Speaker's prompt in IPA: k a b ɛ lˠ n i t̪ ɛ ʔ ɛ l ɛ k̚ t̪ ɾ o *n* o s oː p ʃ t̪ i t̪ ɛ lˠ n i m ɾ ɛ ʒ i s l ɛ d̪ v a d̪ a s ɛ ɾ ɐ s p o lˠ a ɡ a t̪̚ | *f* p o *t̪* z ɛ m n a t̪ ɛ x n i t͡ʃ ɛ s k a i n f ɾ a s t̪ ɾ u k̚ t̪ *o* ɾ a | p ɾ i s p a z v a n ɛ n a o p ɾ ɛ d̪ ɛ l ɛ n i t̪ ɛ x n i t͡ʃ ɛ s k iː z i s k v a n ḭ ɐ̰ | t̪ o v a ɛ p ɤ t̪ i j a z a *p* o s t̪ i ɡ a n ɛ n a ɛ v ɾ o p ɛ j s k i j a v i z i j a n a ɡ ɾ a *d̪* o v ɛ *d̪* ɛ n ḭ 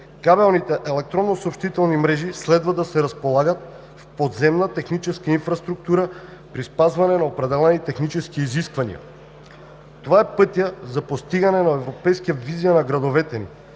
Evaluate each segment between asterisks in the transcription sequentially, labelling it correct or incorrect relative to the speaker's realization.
incorrect: nː, correct, incorrect: d̪, incorrect: u, correct, correct, incorrect: t̪

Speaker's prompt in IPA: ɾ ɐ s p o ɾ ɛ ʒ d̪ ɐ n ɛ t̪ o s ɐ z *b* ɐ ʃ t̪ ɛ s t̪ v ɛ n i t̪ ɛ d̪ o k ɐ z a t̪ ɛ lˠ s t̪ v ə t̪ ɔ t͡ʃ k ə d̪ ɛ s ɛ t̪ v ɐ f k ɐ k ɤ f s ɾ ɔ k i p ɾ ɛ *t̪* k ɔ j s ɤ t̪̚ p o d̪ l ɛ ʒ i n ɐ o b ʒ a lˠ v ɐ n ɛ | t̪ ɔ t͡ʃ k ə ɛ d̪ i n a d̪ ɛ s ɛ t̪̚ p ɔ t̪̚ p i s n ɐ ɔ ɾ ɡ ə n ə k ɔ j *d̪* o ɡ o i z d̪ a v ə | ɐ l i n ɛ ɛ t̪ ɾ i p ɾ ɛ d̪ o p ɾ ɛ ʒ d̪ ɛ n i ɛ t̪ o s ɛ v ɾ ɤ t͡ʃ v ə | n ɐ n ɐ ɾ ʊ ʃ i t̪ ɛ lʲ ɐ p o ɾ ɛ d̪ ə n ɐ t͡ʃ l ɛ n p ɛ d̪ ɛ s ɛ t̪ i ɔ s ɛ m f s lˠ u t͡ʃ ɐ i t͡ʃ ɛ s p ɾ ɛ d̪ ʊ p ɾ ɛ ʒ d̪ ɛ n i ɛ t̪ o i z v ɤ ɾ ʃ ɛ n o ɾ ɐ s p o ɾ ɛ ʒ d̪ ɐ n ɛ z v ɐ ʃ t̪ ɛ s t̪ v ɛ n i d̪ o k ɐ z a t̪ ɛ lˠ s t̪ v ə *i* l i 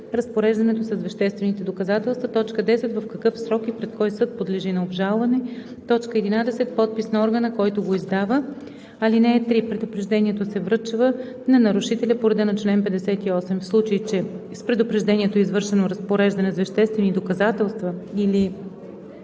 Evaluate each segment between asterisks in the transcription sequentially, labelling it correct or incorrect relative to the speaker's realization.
incorrect: v, correct, incorrect: t̪, correct

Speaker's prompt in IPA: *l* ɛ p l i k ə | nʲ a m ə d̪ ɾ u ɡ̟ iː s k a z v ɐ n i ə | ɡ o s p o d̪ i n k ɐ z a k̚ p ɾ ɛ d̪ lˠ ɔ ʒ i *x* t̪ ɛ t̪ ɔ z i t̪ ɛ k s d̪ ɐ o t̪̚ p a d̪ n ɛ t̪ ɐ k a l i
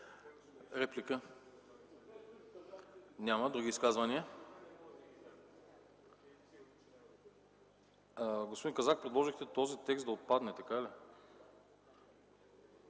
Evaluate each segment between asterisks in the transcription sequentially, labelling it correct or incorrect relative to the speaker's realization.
incorrect: ɾ, correct

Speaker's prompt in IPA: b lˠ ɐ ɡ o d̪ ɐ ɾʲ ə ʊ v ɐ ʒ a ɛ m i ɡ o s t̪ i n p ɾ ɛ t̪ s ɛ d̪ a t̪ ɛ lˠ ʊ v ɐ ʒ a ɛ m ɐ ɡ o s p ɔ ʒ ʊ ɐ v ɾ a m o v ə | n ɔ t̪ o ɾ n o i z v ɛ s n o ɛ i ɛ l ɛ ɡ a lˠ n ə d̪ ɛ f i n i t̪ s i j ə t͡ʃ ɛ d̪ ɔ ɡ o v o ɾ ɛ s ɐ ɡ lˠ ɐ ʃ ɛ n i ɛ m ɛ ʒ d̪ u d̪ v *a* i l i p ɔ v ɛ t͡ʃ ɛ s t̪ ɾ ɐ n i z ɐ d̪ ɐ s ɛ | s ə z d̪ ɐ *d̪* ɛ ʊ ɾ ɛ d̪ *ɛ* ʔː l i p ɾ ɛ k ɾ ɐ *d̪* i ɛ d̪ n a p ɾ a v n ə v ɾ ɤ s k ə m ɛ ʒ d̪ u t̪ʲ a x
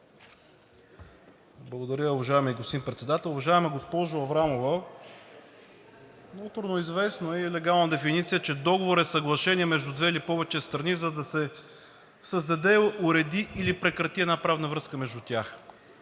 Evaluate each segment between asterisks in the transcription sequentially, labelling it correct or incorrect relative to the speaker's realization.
incorrect: ɛ, correct, incorrect: i, incorrect: t̪

